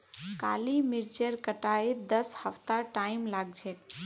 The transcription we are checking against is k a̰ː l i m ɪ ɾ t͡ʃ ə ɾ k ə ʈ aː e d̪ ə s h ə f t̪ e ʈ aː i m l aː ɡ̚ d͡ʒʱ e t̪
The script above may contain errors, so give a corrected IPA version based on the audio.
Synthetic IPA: k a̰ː l i m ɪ ɾ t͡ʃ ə ɾ k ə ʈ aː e d̪ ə s h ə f t̪ a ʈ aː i m l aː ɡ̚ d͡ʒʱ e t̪